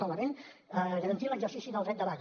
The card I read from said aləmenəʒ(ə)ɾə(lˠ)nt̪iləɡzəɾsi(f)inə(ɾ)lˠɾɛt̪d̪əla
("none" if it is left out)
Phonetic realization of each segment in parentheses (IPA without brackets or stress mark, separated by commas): ə, none, s, none